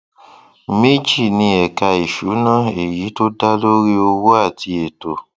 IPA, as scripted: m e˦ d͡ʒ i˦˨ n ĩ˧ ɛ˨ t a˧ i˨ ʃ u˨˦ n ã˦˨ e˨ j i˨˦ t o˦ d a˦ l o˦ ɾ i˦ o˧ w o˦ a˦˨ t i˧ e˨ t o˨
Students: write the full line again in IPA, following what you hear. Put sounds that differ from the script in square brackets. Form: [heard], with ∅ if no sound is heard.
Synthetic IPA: m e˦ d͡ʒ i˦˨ n ĩ˧ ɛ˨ [k] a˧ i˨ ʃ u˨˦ n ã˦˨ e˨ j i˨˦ t o˦ d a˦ l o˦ ɾ i˦ o˧ w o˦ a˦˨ t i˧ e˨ t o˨